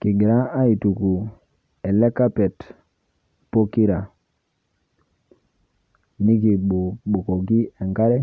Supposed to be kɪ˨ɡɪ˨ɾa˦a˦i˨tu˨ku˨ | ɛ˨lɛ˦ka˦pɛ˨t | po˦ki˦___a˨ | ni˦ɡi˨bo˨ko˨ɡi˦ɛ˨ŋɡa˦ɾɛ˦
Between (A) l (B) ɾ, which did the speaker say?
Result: B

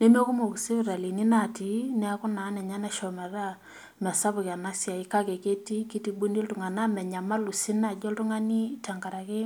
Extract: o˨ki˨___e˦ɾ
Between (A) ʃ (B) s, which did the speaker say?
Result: B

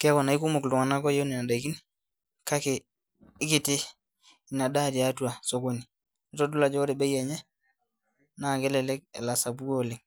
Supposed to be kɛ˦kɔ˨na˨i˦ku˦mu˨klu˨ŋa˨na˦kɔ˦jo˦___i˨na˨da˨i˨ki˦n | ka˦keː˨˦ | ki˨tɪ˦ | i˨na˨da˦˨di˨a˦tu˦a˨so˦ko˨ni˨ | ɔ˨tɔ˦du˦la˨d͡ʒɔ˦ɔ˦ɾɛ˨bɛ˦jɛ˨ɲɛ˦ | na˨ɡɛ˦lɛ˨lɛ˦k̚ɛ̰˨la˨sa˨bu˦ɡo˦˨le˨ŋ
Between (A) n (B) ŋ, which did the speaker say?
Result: A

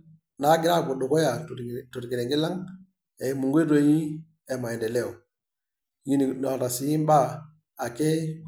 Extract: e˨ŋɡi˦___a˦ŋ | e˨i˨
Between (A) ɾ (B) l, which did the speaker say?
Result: B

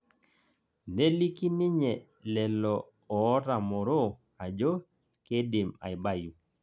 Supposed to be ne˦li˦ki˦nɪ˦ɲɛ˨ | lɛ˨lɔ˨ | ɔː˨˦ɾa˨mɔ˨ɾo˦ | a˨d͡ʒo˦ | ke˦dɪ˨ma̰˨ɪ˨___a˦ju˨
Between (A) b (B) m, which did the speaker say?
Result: A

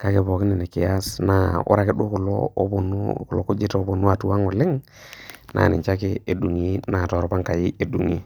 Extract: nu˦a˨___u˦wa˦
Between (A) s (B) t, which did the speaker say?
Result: B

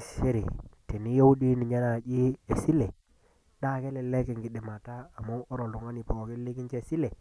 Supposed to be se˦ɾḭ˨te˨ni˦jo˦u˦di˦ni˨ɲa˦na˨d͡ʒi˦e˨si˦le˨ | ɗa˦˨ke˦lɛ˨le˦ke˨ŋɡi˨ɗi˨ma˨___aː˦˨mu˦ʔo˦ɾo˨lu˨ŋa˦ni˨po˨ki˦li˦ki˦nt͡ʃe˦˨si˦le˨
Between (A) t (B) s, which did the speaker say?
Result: A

